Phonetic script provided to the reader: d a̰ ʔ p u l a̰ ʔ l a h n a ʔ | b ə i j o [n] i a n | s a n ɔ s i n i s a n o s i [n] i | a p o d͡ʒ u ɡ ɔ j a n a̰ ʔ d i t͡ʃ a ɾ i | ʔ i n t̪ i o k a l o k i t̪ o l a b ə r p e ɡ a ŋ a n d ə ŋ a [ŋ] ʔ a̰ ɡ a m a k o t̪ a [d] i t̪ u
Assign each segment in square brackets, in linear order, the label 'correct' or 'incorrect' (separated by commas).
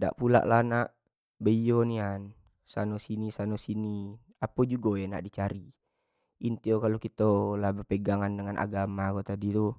correct, correct, incorrect, correct